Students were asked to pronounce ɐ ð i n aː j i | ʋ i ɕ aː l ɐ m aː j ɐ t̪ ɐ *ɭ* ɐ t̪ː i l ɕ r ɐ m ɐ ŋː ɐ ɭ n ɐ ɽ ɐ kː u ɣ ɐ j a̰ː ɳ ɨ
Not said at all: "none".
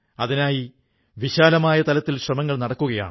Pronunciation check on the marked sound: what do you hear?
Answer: l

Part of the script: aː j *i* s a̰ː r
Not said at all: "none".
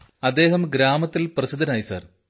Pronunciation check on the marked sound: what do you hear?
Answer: i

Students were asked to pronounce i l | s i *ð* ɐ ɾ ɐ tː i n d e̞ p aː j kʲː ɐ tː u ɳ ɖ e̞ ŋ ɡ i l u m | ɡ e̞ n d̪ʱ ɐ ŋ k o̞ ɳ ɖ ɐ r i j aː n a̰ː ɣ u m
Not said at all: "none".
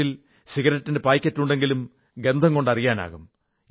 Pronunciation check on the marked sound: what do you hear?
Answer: ɣ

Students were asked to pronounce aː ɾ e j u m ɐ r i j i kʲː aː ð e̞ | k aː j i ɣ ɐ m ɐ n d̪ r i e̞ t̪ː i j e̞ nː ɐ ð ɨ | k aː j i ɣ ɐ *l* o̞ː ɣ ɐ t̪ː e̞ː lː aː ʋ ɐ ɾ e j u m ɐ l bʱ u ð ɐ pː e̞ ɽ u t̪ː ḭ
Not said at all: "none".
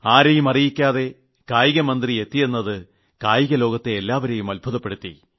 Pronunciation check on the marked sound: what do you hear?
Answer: l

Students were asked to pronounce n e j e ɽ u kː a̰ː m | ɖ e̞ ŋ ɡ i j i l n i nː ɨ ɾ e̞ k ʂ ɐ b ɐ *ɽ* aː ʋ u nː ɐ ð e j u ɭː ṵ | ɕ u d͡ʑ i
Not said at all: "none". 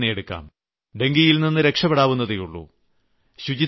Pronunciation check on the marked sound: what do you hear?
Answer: ɽ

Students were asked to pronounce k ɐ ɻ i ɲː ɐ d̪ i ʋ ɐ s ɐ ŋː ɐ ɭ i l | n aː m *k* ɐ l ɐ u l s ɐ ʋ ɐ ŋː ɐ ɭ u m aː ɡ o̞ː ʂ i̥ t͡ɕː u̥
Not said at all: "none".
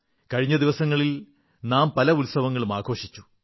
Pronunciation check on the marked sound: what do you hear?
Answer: p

